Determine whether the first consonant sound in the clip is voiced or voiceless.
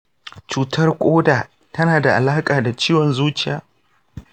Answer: voiceless